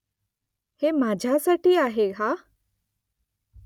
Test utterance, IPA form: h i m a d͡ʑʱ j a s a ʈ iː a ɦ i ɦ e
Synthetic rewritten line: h e m a d͡ʑʱ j a s a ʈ iː a ɦ e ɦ a